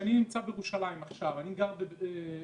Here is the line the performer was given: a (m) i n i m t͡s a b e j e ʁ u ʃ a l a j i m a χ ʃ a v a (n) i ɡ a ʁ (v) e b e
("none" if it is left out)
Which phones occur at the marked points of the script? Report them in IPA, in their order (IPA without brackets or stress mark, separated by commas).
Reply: n, n, b